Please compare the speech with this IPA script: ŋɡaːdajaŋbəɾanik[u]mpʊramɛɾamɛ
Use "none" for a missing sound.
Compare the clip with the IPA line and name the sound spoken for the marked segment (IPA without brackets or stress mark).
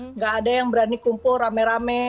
u